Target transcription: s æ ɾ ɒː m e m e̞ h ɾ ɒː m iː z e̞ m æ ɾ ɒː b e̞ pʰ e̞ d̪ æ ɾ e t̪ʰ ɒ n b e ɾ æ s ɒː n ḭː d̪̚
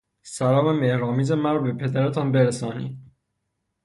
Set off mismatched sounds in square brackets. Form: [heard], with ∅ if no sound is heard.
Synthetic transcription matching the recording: s æ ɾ ɒː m e m e̞ h ɾ ɒː m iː z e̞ m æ ɾ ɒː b e̞ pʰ e̞ d̪ æ ɾ e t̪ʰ ɒ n b e ɾ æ s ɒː n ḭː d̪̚